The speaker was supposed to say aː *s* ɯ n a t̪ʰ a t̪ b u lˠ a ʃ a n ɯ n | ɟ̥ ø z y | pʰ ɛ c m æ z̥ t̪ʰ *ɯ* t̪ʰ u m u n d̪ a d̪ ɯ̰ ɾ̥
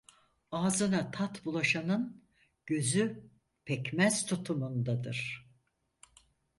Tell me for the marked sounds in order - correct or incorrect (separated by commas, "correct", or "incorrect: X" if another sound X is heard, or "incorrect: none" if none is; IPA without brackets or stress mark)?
incorrect: z, incorrect: u